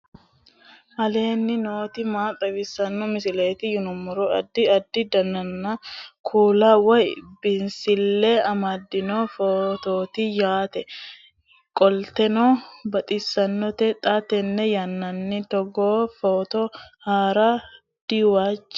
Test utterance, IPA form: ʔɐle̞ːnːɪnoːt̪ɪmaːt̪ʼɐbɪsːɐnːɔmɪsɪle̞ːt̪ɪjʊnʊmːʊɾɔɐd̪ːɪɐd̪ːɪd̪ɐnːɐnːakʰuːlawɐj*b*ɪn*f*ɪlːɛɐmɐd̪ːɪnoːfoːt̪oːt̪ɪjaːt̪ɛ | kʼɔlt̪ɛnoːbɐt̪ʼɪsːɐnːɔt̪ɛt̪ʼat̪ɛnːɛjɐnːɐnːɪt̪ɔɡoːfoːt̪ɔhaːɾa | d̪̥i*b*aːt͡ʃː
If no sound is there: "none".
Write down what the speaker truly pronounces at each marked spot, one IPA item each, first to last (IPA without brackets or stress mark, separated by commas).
b, s, w